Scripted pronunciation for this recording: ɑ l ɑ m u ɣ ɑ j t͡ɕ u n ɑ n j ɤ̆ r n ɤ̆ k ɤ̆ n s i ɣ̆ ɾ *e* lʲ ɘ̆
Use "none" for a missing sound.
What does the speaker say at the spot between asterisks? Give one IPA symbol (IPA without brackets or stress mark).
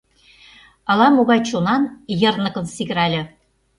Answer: æ